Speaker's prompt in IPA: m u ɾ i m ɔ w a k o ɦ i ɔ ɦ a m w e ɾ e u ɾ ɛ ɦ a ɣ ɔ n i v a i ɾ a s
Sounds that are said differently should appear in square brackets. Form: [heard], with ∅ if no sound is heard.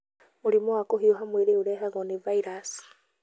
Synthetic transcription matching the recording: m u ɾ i m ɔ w a k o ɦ i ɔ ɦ a m w e ɾ e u ɾ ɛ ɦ a ɣ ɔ n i v a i ɾ a s